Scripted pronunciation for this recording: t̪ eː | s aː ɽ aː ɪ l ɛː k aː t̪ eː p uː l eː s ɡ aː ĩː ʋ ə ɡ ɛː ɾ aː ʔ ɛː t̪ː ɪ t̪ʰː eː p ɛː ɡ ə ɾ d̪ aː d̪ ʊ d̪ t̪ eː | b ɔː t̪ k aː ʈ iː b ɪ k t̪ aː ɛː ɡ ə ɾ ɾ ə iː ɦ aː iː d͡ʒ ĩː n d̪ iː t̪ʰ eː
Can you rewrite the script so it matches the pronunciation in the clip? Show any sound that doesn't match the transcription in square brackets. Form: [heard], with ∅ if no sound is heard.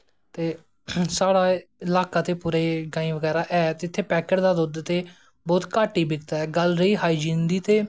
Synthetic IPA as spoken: t̪ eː | s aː ɽ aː ɪ l [aː] k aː t̪ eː p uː [ɾ] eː [∅] ɡ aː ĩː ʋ ə ɡ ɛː ɾ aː ʔ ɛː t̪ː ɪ t̪ʰː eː p ɛː [k] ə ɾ d̪ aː d̪ ʊ d̪ t̪ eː | b ɔː t̪ k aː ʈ iː b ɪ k t̪ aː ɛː ɡ ə [l] ɾ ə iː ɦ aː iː d͡ʒ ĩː n d̪ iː [t̪] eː